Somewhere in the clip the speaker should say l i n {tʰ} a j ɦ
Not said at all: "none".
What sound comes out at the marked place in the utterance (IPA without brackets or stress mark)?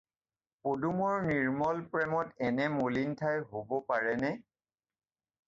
tʰ